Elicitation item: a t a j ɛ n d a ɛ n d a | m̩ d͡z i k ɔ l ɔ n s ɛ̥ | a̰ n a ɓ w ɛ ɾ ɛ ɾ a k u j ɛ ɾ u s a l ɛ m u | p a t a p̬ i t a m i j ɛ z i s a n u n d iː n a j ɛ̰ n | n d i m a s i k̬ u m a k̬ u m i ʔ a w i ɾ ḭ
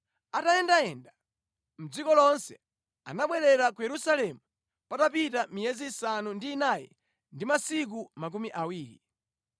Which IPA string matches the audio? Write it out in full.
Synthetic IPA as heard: a t a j ɛ n d a ɛ n d a | m̩ d͡z i k ɔ l ɔ n s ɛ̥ | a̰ n a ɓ w ɛ ɾ ɛ ɾ a k u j ɛ ɾ u s a l ɛ m u | p a t a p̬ i t a m i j ɛ z i s a n u n d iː n a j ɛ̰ | n d i m a s i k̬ u m a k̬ u m i ʔ a w iː ɾ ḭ